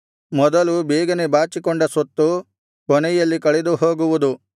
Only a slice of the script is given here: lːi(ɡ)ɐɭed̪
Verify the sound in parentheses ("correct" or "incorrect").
incorrect